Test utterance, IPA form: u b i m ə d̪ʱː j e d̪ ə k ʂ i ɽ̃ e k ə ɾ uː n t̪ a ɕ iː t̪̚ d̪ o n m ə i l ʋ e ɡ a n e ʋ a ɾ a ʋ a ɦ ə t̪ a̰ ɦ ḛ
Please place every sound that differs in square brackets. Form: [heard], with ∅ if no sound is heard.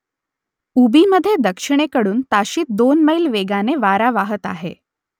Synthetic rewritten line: u b i m ə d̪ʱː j e d̪ ə k ʂ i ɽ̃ e k ə [ɽ] uː n t̪ a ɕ iː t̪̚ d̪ o n m ə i l ʋ e ɡ a n e ʋ a ɾ a ʋ a ɦ ə t̪ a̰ ɦ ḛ